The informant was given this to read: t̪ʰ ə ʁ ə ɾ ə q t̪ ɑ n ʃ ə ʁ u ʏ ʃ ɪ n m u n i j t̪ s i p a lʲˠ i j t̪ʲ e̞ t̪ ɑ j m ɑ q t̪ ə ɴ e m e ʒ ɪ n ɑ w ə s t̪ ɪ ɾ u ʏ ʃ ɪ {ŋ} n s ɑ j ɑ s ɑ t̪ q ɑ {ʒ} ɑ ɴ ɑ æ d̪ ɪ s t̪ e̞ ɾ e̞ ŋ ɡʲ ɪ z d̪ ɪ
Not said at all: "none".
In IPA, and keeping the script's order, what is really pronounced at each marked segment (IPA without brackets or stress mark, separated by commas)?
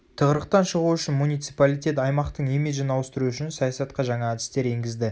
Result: none, ʒ